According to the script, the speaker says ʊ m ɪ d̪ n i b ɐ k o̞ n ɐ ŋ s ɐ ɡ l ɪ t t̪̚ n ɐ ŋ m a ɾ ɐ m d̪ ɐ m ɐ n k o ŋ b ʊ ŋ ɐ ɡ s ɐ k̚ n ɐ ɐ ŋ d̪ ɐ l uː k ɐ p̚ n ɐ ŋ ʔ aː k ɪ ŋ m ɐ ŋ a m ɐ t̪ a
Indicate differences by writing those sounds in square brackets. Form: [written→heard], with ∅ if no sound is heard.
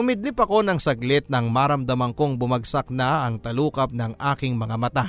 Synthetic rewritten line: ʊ m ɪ d̪ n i [b→p] ɐ k o̞ n ɐ ŋ s ɐ ɡ l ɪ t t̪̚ n ɐ ŋ m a ɾ ɐ m d̪ ɐ m ɐ [n→ŋ] k o ŋ b ʊ [ŋ→m] ɐ ɡ s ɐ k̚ n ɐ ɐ ŋ [d̪→t̪] ɐ l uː k ɐ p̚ n ɐ ŋ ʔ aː k ɪ ŋ m ɐ ŋ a m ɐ t̪ a